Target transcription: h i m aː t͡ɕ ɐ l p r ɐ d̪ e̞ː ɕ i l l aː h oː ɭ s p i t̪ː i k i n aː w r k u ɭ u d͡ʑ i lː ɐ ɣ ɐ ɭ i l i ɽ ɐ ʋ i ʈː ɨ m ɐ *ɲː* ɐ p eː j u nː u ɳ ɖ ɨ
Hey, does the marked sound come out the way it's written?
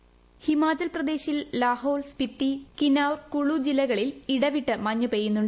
yes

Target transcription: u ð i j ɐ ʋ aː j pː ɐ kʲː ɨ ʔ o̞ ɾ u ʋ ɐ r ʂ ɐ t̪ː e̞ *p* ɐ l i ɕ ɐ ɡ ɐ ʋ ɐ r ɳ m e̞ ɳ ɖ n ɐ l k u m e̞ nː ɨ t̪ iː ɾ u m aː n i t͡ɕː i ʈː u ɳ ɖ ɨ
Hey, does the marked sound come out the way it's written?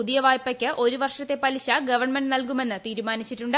yes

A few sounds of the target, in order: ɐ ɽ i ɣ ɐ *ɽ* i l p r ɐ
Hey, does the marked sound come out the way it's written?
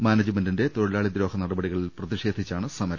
no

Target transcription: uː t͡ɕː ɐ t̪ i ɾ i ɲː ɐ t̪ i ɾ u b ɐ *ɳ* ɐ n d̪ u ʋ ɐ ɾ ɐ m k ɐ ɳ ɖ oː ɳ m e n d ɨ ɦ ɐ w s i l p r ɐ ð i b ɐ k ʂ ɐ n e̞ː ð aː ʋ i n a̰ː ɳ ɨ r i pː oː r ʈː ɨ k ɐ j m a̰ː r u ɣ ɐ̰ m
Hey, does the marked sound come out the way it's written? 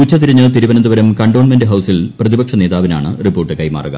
no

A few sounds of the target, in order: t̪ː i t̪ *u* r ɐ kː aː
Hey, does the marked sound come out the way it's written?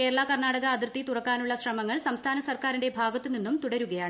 yes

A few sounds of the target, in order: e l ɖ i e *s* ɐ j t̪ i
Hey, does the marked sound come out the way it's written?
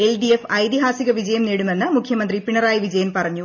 no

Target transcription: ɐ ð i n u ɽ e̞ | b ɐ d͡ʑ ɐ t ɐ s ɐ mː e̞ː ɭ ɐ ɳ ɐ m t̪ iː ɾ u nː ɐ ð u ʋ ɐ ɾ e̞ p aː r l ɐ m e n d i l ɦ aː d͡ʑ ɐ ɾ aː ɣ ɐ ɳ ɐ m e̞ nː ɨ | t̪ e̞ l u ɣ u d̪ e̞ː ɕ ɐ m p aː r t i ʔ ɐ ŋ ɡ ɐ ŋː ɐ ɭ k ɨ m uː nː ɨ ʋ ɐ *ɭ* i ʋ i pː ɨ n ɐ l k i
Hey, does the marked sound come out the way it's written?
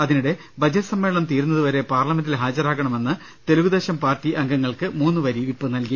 no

